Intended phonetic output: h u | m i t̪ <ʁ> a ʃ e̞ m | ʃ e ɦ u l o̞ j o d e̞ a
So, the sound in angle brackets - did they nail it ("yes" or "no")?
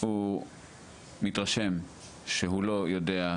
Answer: yes